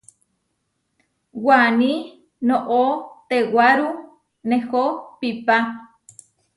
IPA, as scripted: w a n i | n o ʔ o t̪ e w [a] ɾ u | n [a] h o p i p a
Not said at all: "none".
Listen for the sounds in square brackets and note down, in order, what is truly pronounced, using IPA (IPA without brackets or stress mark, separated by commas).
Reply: a, e